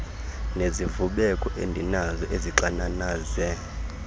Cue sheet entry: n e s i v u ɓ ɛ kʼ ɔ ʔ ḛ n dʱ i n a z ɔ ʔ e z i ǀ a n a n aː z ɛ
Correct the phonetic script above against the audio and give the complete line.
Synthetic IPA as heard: n e z i v u ɓ ɛ kʼ ɔ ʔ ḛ n dʱ i n a z ɔ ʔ e z i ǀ a n a n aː z ɛ